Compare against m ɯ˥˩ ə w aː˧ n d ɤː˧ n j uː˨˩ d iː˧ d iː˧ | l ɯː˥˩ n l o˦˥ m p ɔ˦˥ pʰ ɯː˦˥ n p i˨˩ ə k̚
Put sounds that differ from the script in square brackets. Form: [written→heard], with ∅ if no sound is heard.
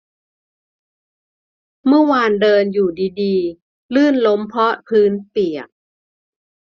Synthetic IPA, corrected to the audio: m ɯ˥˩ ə w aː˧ n d ɤː˧ n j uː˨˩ d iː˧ d iː˧ | l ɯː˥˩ n l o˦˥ m [p→pʰ] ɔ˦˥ pʰ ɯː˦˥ n p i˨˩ ə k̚